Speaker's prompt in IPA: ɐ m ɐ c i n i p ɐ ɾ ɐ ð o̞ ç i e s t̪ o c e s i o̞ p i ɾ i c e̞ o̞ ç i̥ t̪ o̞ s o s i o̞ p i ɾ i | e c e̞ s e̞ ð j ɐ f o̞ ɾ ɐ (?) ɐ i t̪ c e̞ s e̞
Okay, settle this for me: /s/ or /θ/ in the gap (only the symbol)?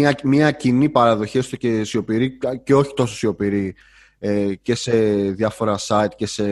s